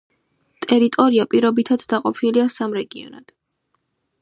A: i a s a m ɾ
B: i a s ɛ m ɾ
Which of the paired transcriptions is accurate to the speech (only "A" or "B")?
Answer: A